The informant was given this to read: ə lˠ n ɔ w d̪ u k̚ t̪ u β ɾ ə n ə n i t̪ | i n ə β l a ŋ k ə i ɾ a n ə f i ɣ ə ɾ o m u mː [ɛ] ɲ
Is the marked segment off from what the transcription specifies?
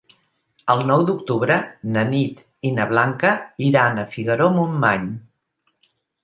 yes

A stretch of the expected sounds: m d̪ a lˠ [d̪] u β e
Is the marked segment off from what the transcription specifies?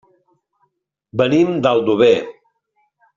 no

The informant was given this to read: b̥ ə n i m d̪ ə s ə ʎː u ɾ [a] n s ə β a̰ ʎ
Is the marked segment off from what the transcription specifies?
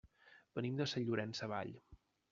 yes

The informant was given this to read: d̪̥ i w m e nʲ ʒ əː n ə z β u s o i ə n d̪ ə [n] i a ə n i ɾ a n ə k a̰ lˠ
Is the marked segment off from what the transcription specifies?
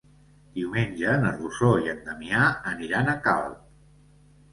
yes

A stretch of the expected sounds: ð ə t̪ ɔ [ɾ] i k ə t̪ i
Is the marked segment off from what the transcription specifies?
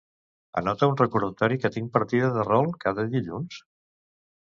no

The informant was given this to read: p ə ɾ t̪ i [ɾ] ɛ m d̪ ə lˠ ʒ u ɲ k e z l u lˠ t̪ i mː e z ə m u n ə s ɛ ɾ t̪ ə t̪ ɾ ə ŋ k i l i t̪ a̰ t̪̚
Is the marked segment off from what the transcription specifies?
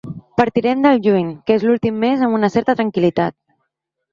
no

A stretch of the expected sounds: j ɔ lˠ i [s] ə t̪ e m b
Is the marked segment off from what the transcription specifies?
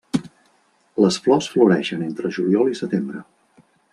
no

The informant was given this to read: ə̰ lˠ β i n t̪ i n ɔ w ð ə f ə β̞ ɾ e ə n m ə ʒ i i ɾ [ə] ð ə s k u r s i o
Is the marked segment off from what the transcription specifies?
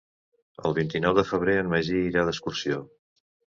yes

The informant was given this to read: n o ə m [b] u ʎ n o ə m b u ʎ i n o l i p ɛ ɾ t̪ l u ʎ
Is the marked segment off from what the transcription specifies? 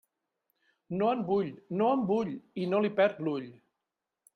no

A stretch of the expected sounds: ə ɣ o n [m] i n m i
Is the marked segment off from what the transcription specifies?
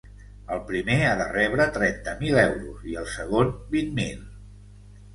yes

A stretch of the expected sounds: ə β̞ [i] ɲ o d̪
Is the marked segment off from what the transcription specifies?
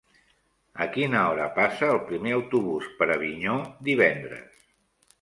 no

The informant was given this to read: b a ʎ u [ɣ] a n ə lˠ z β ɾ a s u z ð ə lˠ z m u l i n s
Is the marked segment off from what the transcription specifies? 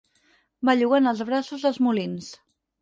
no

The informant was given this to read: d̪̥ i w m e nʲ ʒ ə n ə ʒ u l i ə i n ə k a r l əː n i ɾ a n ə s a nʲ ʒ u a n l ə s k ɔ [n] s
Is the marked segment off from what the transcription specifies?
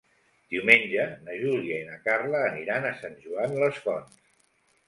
no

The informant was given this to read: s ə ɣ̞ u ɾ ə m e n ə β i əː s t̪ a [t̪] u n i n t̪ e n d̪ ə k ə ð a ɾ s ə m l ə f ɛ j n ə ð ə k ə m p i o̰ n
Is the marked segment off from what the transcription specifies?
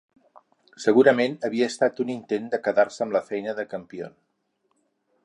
no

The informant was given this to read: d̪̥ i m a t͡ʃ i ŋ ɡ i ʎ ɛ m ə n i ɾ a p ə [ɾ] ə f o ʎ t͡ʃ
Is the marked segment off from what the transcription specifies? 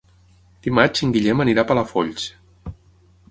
yes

